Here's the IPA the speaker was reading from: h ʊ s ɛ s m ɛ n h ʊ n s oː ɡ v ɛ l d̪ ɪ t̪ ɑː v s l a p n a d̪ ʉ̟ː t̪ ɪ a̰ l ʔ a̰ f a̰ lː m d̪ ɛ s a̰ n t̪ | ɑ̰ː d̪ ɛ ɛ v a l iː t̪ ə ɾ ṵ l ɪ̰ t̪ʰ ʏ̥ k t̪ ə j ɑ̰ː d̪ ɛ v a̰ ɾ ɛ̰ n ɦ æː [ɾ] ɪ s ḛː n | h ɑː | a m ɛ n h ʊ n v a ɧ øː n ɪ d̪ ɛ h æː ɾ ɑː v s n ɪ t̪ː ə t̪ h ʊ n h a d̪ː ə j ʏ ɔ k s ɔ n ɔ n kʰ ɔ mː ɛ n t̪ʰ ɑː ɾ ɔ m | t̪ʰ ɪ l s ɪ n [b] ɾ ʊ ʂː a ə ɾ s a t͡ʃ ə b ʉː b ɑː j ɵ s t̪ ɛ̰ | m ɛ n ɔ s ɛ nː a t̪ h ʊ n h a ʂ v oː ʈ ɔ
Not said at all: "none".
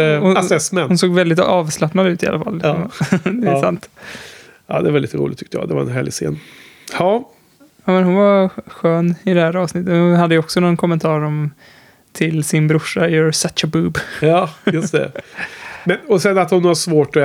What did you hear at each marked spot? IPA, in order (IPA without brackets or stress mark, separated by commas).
ɭ, b